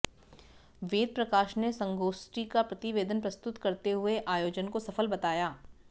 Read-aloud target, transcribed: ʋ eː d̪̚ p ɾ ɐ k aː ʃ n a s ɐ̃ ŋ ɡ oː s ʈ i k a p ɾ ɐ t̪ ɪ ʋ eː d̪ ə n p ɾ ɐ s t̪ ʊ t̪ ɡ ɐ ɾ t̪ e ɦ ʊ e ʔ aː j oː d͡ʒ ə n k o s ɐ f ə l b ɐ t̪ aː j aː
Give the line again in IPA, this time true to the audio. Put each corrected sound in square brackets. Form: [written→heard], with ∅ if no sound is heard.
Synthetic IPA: ʋ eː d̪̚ p ɾ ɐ k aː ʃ n [a→e] s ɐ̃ ŋ ɡ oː s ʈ i k a p ɾ ɐ t̪ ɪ ʋ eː d̪ ə n p ɾ ɐ s t̪ ʊ t̪ [ɡ→k] ɐ ɾ t̪ e ɦ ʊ e ʔ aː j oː d͡ʒ ə n k o s ɐ f ə l b ɐ t̪ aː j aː